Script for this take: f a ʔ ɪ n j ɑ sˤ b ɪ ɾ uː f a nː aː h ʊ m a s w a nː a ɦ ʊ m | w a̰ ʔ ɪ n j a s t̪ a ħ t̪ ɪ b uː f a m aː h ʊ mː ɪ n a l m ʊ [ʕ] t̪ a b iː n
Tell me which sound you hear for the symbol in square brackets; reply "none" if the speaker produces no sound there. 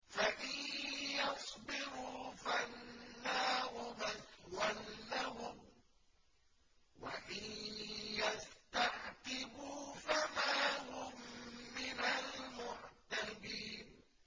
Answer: ʕ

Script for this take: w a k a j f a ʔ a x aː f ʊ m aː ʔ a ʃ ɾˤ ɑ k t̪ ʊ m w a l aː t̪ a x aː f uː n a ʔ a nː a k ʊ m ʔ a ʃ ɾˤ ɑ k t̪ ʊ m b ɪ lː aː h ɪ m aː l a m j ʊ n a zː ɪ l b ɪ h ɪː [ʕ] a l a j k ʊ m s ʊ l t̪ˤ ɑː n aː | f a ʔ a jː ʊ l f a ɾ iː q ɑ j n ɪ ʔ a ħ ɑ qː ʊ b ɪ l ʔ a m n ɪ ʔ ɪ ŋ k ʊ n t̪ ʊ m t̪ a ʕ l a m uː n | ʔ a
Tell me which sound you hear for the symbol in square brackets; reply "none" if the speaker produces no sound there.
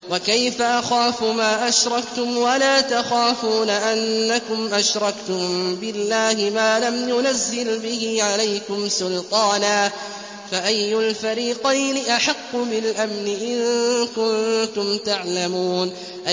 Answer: ʕ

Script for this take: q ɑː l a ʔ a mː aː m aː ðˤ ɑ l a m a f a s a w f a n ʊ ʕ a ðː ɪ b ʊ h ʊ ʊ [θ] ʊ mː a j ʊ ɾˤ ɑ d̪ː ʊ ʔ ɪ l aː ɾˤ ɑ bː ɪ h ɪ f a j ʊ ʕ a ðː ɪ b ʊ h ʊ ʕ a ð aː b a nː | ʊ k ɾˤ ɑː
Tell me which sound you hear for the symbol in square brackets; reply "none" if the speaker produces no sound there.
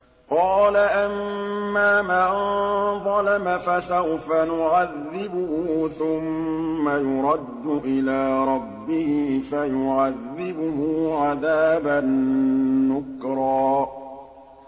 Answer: θ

